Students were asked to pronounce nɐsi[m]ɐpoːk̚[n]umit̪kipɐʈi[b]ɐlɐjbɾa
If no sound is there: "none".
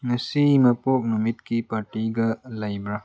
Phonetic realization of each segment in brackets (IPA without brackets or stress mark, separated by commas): m, n, ɡ